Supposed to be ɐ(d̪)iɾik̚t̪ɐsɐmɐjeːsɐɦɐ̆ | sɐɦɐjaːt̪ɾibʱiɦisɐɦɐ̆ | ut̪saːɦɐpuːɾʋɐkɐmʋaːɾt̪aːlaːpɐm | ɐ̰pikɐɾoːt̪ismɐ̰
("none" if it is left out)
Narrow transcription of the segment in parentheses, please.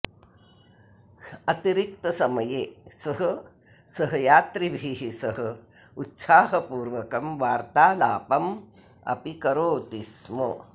t̪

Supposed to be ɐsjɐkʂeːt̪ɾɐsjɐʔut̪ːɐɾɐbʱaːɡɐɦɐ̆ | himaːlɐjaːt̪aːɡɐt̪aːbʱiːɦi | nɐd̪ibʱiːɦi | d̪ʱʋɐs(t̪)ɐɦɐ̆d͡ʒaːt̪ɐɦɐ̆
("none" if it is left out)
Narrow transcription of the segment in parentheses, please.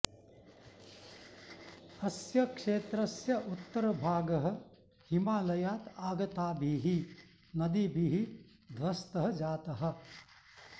t̪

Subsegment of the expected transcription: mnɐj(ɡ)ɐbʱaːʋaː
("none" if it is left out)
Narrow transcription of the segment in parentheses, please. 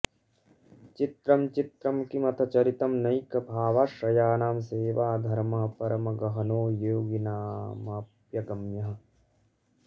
k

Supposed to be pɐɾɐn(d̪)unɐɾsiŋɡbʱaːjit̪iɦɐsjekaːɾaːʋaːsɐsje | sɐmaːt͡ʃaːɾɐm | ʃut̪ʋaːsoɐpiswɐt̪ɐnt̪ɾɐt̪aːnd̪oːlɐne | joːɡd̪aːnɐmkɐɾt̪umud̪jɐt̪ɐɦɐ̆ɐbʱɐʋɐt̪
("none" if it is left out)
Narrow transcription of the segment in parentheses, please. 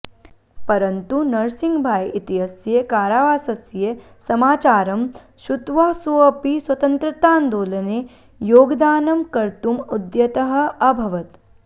t̪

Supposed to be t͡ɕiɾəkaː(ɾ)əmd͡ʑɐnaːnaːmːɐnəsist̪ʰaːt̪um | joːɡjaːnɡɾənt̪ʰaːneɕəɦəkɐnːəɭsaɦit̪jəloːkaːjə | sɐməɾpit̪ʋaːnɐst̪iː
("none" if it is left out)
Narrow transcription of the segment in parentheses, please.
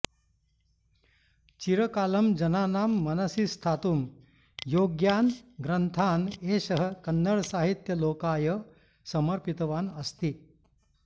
l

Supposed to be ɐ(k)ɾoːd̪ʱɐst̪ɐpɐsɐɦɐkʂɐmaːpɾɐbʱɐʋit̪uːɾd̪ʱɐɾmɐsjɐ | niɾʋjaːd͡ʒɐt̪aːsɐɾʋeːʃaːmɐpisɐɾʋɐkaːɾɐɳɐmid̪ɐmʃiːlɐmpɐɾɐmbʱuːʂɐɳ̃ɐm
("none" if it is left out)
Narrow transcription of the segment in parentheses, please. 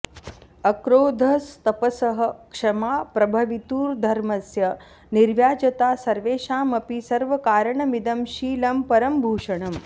k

